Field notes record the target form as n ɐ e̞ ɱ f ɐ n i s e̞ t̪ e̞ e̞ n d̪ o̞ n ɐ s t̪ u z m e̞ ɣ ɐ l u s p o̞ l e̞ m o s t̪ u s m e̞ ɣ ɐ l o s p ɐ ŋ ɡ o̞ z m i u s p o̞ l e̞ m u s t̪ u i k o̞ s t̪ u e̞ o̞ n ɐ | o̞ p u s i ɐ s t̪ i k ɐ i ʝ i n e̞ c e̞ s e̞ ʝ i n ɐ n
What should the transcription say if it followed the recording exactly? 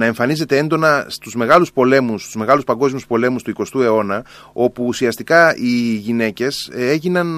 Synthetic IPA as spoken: n ɐ e̞ ɱ f ɐ n i z e̞ t̪ e̞ e̞ n d̪ o̞ n ɐ s t̪ u z m e̞ ɣ ɐ l u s p o̞ l e̞ m u s t̪ u z m e̞ ɣ ɐ l u s p ɐ ŋ ɡ o̞ z m i u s p o̞ l e̞ m u s t̪ u i k o̞ s t̪ u e̞ o̞ n ɐ | o̞ p uː s i ɐ s t̪ i k ɐ i ʝ i n e̞ c e̞ s e̞ ʝ i n ɐ n